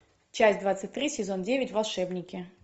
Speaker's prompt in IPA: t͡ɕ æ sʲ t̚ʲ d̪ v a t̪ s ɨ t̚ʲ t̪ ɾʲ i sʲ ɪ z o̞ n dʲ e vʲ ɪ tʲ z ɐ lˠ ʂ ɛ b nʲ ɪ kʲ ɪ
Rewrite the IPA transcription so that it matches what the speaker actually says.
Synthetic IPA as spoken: t͡ɕ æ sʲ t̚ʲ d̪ v a t̪ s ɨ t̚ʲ t̪ ɾʲ i sʲ ɪ z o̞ n dʲ e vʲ ɪ tʲ v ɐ lˠ ʂ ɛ b nʲ ɪ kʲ ɪ